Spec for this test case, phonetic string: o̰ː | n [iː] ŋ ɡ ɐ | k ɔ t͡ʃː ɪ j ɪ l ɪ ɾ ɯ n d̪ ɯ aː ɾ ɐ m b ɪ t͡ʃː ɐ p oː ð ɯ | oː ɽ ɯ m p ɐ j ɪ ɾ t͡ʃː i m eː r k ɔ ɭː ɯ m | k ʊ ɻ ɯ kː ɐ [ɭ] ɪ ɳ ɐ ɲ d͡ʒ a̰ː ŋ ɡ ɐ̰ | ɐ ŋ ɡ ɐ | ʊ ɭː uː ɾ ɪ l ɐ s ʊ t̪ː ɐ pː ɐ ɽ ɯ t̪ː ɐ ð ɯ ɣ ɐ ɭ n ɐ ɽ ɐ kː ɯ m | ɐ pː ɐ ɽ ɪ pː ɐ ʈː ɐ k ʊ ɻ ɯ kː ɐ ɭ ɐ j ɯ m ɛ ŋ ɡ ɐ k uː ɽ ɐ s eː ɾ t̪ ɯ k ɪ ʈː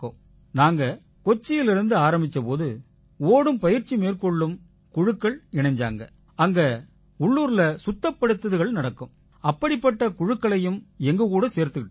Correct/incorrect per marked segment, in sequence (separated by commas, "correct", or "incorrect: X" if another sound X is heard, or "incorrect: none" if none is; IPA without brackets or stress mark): incorrect: aː, correct